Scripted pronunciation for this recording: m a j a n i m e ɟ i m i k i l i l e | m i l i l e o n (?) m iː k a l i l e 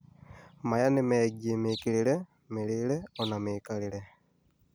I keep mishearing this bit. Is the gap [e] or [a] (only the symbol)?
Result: a